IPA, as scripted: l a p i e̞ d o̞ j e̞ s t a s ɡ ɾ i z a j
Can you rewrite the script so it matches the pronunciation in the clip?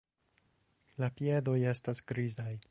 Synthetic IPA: l a p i e̞ d o̞ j e̞ s t a s ɡ ɾ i z a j

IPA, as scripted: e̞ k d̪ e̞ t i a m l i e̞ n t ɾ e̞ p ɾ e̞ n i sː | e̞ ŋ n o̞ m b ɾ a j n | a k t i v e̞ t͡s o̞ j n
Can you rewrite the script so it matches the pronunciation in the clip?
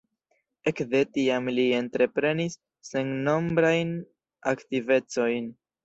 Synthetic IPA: e̞ k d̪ e̞ t i a m l i e̞ n t ɾ e̞ p ɾ e̞ n i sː | e̞ ŋ n o̞ m b ɾ a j n | a k t i v e̞ t͡s o̞ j n

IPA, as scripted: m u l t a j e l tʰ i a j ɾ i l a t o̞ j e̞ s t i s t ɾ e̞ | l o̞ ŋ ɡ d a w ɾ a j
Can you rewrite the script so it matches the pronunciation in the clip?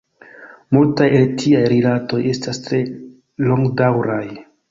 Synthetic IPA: m u l t a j e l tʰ i a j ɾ i l a t o̞ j e̞ s t a s t ɾ e̞ | l o̞ ŋ ɡ d a w ɾ a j

